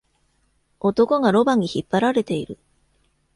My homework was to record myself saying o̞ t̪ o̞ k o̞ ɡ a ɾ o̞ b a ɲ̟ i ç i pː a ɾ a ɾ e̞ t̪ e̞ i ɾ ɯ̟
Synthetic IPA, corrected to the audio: o̞ t̪ o̞ k o̞ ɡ a ɾ o̞ b a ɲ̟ i ç i pː a ɾ a ɾ e̞ t̪ e̞ i ɾ ɯ̟